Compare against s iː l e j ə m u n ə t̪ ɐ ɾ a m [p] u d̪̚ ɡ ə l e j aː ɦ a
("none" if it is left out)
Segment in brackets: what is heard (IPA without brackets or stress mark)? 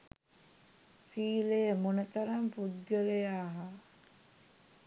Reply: p